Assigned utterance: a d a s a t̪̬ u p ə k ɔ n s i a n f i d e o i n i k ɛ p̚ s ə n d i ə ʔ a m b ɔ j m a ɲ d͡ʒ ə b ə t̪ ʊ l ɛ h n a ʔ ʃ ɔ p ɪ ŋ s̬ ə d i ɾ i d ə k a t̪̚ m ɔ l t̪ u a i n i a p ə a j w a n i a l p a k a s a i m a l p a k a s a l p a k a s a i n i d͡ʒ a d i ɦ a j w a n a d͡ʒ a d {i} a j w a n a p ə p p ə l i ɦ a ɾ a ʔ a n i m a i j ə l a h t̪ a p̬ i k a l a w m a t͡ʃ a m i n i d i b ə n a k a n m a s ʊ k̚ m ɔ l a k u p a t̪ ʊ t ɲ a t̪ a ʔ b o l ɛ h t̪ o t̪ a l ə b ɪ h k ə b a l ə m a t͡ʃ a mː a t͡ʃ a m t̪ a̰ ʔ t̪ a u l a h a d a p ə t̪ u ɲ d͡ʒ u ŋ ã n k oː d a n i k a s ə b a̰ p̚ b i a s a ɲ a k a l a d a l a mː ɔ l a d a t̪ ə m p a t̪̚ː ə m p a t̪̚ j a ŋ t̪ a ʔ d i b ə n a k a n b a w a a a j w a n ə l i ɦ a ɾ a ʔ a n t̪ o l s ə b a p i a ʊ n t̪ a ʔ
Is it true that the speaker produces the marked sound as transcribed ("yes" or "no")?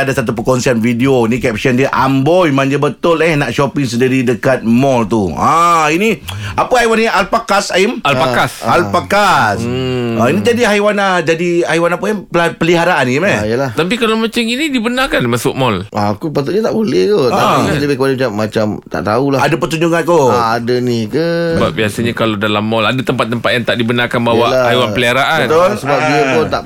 yes